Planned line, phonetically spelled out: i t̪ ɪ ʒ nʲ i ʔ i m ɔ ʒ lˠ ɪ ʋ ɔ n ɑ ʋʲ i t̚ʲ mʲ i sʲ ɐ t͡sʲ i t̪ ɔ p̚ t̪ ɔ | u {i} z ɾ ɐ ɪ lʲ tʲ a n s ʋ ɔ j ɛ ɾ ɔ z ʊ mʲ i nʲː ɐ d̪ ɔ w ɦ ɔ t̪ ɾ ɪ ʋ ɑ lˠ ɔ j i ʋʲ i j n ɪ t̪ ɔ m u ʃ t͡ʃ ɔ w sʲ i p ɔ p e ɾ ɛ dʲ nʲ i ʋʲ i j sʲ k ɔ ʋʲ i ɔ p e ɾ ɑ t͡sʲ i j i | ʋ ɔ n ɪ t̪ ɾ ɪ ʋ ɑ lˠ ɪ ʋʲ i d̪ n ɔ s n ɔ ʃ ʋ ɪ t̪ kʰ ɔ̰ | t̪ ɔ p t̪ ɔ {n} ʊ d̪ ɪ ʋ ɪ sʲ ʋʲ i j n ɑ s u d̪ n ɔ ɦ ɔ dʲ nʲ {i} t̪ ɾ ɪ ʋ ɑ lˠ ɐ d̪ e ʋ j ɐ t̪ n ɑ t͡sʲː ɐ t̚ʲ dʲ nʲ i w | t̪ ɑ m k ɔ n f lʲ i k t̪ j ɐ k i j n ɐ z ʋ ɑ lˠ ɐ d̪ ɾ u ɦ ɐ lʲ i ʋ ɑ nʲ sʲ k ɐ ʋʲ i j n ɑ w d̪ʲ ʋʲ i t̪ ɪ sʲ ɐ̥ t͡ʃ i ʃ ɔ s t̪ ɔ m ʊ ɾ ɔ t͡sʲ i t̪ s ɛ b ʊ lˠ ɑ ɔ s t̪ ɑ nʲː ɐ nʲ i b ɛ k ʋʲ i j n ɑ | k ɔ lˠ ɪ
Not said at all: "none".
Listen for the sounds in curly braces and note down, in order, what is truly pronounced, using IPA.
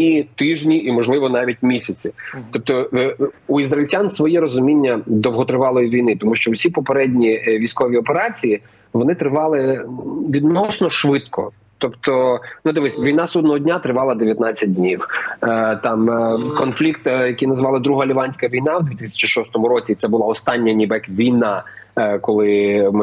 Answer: i, n, a

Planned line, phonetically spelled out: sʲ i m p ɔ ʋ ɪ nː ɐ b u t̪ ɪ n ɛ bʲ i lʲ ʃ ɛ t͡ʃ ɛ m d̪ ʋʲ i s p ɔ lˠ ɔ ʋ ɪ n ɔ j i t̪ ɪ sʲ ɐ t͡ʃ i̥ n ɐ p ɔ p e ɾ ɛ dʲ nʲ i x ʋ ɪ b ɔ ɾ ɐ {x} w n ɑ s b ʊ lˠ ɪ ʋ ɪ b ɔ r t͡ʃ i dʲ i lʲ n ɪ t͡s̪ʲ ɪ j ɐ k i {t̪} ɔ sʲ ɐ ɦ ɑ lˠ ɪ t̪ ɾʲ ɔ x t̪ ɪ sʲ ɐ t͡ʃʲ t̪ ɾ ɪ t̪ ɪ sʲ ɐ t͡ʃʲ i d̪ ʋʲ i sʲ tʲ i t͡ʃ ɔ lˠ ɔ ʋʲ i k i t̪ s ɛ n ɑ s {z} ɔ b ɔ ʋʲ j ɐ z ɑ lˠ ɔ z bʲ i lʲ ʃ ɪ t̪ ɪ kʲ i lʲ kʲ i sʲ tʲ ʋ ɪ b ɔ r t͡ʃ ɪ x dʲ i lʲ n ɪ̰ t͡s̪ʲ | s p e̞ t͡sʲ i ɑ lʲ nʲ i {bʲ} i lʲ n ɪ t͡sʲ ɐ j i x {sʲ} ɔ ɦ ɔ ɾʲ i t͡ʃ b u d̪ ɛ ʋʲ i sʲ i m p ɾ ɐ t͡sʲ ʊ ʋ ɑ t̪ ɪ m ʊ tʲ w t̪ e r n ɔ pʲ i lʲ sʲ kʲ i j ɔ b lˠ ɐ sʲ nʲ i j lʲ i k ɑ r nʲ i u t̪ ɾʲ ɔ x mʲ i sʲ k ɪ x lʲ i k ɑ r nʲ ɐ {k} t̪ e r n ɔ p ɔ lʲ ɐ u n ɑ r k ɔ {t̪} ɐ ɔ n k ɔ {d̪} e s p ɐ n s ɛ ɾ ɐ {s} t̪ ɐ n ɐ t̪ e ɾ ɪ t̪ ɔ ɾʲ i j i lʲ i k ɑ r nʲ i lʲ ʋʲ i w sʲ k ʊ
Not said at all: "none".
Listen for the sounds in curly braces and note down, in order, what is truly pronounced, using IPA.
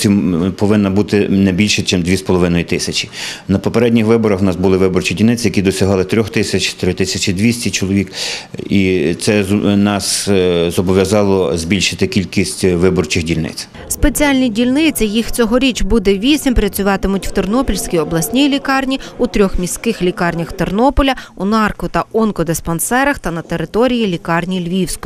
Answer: x, d̪, z, dʲ, t͡sʲ, x, t̪, d̪, x

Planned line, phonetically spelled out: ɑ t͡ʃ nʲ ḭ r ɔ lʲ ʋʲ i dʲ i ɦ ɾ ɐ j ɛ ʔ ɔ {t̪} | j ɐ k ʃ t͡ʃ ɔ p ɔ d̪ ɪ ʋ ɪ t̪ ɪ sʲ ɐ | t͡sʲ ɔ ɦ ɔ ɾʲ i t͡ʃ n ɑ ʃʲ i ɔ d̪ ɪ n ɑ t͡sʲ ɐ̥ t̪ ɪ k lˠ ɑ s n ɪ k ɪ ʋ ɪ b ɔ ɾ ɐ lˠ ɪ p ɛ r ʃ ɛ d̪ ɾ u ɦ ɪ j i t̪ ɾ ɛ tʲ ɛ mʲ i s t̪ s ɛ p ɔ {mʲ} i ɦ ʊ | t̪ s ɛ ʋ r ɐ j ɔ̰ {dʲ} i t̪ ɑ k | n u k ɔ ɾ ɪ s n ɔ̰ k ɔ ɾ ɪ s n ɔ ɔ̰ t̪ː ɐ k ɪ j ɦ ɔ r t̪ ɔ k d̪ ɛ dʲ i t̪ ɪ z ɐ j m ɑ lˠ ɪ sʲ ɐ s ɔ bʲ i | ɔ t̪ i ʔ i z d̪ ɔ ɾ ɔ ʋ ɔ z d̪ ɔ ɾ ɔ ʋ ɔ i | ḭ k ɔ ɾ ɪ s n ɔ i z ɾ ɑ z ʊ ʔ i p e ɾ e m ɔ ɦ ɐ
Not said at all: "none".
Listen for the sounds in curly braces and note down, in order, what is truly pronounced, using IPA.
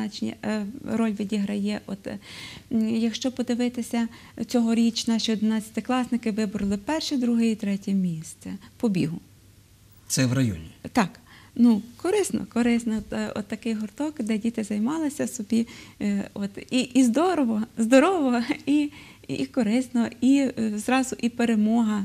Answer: t̪, bʲ, nʲ

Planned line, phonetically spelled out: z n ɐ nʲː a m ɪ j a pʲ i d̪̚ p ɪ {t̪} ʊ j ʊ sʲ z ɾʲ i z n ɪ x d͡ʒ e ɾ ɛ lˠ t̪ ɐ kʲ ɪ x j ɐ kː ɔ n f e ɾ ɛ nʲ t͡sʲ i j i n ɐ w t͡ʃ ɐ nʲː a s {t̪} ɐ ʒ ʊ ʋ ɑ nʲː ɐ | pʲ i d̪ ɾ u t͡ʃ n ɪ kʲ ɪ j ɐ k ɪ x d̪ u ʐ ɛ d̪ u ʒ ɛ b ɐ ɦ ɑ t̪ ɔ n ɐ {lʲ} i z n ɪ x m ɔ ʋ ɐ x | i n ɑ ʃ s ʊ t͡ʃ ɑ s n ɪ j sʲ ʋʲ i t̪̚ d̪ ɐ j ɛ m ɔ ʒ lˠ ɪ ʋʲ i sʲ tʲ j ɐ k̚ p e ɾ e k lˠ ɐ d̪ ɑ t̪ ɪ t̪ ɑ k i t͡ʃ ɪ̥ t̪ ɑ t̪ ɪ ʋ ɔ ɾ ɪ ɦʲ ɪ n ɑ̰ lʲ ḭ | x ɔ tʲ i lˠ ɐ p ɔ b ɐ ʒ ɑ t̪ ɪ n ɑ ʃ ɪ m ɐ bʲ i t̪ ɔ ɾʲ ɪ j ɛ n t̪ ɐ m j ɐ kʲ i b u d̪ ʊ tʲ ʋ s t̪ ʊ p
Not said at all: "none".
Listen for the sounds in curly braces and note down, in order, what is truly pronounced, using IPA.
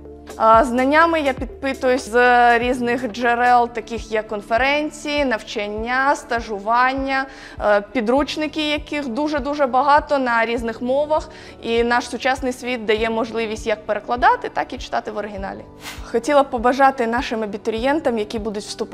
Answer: t̪, t̪, ɾʲ

